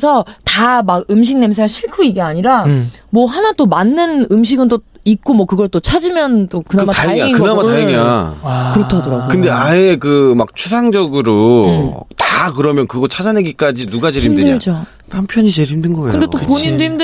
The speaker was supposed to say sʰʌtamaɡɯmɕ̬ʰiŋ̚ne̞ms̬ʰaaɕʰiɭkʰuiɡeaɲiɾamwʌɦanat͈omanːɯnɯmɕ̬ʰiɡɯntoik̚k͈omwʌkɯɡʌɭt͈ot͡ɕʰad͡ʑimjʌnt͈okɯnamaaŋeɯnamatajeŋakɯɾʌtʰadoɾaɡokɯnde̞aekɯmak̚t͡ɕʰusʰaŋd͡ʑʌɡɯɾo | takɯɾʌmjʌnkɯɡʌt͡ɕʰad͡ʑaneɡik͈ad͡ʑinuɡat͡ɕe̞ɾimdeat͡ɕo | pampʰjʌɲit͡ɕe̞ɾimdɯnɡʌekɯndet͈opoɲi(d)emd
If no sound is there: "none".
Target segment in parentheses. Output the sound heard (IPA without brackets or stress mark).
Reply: d